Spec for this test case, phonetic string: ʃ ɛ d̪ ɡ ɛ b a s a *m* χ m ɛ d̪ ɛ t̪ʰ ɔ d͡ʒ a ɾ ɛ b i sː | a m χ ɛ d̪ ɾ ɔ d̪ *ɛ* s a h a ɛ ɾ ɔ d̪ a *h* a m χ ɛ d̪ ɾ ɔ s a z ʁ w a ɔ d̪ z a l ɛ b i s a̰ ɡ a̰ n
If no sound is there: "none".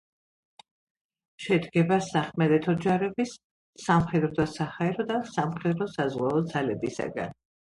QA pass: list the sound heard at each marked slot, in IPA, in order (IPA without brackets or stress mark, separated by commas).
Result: none, a, s